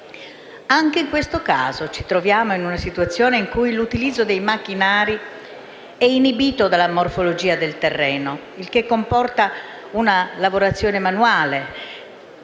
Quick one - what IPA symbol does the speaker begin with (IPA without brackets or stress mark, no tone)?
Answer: a